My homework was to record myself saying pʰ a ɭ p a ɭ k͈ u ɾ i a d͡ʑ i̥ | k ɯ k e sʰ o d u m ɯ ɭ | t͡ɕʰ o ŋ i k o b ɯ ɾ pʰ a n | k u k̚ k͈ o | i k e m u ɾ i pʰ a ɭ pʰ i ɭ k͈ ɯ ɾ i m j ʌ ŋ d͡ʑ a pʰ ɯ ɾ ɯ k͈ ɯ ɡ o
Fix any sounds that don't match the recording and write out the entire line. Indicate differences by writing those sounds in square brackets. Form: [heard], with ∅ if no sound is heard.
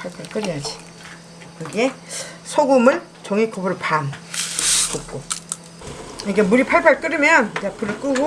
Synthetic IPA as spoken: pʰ a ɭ [pʰ] a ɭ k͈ [ɯ] ɾ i a d͡ʑ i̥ | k ɯ [ɡ] e sʰ o [ɡ] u m ɯ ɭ | [t͡ɕ] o ŋ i k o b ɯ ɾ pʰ a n | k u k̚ k͈ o | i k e m u ɾ i pʰ a ɭ pʰ [a] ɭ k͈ ɯ ɾ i m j ʌ [n] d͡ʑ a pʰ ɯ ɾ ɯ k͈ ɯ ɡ o